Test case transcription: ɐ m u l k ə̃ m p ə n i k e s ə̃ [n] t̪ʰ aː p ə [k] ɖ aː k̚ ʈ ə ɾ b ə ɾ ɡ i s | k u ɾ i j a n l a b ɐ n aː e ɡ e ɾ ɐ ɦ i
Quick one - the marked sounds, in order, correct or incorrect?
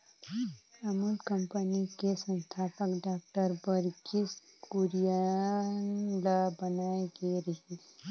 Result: correct, correct

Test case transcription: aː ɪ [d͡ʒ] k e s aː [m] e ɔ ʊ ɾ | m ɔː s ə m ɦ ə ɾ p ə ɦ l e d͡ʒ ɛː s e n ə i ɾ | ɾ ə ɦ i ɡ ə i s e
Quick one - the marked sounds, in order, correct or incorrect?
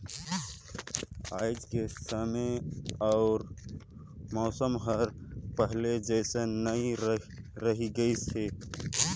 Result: correct, correct

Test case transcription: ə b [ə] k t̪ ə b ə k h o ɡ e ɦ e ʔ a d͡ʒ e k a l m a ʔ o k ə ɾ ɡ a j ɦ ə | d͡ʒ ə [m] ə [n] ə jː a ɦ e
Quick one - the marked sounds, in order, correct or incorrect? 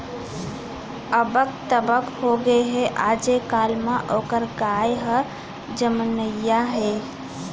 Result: correct, correct, correct

